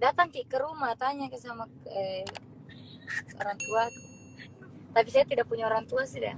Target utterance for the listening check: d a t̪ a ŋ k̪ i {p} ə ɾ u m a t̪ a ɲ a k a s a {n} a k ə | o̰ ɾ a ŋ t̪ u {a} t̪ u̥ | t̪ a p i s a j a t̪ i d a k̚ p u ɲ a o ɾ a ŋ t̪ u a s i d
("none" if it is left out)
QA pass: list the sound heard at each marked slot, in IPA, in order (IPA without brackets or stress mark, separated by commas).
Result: k, m, a